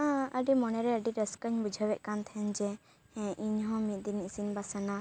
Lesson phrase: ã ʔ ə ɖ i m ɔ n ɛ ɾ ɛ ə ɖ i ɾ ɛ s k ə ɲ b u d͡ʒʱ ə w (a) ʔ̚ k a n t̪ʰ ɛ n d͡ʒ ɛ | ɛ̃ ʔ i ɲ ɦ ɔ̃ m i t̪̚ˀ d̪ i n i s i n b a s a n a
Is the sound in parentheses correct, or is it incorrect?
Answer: incorrect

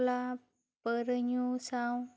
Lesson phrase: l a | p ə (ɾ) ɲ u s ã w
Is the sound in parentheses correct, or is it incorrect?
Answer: correct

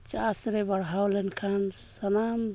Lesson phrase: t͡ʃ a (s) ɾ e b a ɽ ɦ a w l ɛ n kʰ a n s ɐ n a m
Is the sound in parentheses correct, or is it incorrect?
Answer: correct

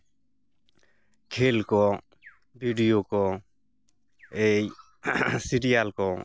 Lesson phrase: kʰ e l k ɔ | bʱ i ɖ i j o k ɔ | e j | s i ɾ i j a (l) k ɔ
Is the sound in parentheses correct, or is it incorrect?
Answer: correct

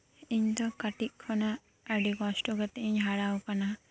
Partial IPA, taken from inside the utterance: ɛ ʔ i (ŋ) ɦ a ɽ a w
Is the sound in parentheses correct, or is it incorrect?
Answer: incorrect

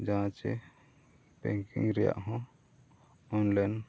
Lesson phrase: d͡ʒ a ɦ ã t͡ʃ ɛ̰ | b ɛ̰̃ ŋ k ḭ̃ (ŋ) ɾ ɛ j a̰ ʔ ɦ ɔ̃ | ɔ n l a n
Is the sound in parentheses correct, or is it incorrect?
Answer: correct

